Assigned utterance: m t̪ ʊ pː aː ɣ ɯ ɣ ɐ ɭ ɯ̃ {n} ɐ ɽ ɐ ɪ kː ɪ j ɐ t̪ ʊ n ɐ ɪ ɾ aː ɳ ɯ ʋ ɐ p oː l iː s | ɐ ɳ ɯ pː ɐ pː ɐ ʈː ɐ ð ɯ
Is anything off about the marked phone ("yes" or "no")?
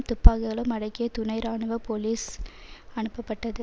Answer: yes